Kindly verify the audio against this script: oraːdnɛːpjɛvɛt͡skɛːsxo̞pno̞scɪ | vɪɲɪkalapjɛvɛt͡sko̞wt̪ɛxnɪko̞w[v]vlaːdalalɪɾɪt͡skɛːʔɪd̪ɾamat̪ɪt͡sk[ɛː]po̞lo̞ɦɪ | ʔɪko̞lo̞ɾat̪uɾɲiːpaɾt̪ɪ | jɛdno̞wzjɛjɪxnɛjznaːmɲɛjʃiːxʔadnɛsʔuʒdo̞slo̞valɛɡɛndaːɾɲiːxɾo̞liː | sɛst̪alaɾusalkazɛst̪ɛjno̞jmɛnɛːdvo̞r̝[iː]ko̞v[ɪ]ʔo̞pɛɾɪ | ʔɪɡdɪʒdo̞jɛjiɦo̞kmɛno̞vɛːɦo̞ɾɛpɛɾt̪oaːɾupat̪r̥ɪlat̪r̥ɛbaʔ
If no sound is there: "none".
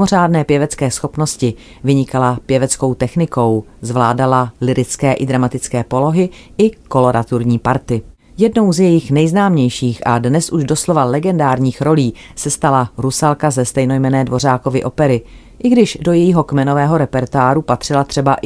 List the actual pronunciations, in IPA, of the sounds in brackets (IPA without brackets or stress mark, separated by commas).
z, ɛː, aː, ɪ